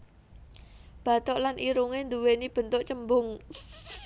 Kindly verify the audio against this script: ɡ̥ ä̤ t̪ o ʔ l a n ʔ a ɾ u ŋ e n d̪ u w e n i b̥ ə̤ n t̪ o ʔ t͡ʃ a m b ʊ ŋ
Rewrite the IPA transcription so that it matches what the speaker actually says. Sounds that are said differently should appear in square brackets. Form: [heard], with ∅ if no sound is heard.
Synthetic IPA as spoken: [b̥] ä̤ t̪ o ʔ l a n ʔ [i] ɾ u ŋ e n d̪ u w e n i b̥ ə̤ n t̪ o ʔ t͡ʃ [ə] m b ʊ ŋ